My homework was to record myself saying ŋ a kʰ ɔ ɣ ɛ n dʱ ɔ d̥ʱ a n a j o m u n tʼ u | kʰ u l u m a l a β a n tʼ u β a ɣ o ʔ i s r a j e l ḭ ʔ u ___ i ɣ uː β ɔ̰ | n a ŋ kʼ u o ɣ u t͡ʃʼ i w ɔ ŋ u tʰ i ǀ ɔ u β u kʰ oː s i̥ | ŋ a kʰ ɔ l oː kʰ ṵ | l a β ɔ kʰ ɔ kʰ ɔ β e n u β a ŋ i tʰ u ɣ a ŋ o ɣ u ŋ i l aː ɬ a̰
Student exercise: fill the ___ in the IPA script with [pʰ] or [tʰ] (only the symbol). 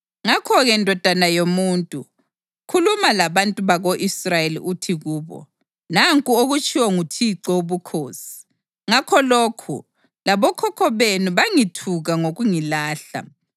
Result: tʰ